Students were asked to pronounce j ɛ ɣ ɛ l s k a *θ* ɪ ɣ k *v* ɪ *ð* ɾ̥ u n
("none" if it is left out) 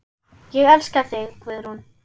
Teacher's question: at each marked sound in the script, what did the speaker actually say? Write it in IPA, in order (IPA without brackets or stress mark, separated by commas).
θ, v, ð